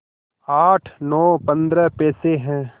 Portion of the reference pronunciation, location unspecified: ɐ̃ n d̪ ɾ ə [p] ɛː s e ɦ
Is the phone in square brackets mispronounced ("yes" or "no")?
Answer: no